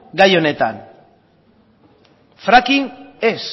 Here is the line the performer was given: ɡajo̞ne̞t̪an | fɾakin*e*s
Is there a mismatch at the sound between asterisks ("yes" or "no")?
no